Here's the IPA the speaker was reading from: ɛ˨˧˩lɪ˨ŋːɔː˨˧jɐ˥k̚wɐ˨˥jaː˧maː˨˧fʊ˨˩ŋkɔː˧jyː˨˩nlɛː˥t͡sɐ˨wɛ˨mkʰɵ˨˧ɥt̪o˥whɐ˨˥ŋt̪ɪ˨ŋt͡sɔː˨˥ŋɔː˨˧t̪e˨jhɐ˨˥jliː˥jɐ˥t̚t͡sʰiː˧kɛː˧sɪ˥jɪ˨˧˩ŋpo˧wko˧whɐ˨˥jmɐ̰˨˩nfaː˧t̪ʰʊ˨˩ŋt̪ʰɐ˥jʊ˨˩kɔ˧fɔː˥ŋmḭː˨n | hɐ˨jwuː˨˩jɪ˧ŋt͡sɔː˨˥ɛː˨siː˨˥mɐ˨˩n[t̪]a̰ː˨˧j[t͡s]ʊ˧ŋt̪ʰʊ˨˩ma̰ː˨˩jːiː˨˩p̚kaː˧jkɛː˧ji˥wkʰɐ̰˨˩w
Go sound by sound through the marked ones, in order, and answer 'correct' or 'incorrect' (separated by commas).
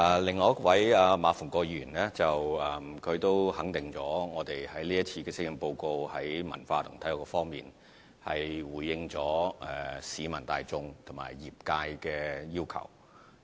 correct, correct